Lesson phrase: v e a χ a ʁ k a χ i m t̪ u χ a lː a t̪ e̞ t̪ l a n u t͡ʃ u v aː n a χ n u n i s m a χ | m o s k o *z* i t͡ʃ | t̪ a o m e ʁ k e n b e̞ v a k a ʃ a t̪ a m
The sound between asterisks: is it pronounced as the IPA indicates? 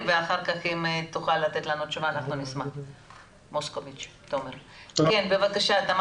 no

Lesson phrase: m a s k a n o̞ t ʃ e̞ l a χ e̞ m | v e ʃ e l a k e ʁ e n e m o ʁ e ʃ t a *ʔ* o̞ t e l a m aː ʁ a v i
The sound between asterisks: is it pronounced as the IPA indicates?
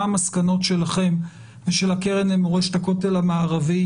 no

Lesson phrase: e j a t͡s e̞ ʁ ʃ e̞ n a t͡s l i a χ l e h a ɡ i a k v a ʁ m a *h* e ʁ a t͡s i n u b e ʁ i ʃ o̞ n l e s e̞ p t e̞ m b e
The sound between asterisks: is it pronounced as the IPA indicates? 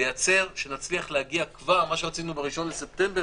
no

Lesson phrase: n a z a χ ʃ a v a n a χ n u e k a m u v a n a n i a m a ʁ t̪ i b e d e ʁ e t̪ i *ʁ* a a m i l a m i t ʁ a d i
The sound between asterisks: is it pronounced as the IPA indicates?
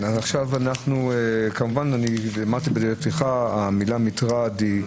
no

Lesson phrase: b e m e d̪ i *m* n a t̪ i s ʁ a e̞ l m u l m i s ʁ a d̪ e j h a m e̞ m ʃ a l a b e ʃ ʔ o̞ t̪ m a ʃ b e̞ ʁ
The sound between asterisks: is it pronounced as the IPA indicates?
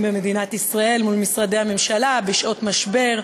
no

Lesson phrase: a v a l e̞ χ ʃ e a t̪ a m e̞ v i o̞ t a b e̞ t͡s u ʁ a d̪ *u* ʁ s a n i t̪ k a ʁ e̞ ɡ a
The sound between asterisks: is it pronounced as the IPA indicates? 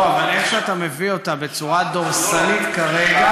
no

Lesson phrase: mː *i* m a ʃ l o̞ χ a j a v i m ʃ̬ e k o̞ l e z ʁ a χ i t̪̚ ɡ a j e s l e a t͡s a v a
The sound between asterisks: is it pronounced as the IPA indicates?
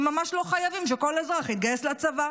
no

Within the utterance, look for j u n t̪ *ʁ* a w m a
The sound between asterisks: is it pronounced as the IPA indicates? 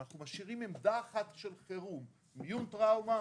yes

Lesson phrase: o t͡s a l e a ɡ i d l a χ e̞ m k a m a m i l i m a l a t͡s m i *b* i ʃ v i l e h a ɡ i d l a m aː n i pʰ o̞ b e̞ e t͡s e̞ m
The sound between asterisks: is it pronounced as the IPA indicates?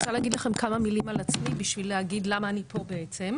yes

